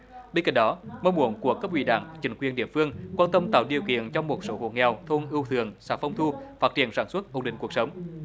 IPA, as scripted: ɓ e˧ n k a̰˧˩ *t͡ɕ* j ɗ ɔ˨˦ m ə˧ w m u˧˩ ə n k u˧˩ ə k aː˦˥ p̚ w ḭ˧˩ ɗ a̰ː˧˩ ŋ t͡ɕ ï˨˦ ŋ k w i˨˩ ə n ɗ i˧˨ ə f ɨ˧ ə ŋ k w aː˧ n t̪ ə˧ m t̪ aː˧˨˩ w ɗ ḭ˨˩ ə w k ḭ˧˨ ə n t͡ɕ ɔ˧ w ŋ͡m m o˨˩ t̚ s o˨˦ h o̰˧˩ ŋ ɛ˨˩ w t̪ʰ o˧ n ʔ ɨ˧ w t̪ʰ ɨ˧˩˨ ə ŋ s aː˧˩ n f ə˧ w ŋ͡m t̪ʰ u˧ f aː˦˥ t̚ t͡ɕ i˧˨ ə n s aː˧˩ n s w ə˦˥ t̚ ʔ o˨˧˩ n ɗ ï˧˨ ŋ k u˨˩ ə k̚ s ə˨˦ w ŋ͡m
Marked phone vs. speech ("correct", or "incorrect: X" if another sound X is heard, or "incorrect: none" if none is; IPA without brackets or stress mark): incorrect: none